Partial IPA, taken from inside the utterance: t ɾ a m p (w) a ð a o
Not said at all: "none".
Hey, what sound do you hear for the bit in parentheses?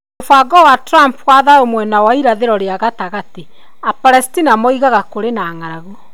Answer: w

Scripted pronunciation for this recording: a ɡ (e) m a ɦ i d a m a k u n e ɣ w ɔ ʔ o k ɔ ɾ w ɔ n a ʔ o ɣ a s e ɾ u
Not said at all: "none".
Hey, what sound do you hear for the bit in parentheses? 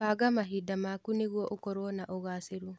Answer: a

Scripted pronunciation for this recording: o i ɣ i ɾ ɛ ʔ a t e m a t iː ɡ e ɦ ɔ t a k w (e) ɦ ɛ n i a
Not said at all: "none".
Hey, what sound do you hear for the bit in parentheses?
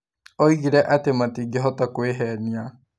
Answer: e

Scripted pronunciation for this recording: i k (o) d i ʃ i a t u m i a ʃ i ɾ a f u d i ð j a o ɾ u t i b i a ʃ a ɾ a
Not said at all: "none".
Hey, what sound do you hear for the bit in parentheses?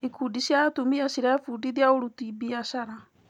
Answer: u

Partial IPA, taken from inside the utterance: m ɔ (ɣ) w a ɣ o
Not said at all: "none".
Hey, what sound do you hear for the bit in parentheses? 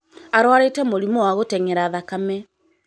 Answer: none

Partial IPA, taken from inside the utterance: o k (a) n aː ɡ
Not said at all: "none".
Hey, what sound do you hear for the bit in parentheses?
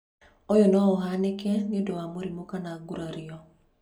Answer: a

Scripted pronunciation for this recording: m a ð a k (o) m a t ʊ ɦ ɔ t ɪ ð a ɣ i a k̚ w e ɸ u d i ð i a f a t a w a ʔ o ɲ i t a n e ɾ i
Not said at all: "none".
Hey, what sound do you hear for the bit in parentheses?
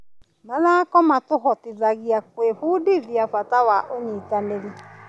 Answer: ɔ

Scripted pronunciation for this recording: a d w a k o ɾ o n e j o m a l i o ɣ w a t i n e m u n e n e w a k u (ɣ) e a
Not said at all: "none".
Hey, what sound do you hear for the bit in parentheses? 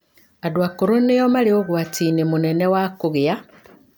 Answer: ɣ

